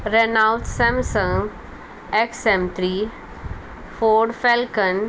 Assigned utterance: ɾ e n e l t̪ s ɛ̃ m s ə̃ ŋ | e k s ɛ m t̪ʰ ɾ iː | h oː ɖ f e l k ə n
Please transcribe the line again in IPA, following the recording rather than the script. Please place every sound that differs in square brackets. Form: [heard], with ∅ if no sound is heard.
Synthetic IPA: ɾ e n [a] l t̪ s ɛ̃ m s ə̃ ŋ | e k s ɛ m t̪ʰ ɾ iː | [f] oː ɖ f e l k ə n